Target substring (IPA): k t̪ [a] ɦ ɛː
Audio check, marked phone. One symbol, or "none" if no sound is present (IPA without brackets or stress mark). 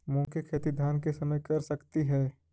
i